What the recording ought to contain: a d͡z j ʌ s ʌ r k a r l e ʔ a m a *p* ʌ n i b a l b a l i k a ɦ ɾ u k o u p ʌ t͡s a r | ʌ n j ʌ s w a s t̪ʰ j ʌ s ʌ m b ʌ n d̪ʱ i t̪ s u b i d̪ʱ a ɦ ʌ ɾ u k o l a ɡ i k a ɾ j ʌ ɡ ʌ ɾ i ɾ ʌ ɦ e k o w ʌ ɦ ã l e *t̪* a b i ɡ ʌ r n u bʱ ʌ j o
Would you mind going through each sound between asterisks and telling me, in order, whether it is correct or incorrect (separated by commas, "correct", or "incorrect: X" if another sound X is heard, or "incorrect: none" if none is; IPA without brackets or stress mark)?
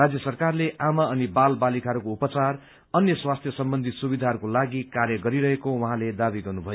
incorrect: none, incorrect: d̪